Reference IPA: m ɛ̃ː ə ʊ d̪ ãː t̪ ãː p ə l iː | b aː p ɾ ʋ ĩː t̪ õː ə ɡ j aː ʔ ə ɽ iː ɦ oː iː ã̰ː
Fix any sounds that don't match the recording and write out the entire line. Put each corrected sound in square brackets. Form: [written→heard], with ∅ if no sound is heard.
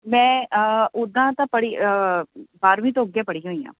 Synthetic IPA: m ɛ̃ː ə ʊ d̪ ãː t̪ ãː p ə [l→ɽ] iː | b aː [p→∅] ɾ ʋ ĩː t̪ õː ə ɡ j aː [ʔ→p] ə ɽ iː ɦ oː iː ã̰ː